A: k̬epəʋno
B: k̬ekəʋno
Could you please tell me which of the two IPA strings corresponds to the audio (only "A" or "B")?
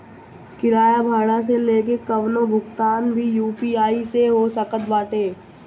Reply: B